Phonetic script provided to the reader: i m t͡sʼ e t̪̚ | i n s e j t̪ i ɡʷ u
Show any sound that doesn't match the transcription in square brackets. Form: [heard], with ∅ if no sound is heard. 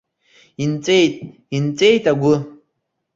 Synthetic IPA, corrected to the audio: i [n] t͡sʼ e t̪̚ | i n [t͡s] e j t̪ [a] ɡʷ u